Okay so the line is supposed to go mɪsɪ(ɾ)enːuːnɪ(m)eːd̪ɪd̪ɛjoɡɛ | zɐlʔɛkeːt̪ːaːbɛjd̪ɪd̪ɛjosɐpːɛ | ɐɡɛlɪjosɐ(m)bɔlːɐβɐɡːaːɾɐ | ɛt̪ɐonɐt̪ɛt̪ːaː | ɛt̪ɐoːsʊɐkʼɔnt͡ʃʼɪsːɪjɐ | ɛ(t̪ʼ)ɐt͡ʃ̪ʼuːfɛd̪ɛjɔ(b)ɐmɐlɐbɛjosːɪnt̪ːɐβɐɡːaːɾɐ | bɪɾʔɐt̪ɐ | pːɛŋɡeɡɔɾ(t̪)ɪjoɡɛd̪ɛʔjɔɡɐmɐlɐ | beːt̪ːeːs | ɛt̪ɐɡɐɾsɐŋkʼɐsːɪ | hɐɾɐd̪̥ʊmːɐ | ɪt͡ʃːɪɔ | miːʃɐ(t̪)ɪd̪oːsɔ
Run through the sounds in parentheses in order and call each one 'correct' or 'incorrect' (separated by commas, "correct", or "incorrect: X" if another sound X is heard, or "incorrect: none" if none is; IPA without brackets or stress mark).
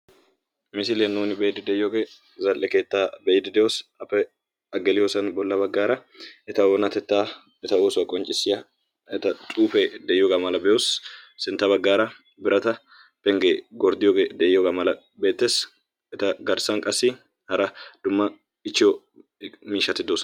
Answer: incorrect: l, incorrect: b, incorrect: n, incorrect: t̪, incorrect: ɡ, incorrect: d̪, correct